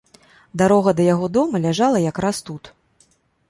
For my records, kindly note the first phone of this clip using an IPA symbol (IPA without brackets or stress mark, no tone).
d̪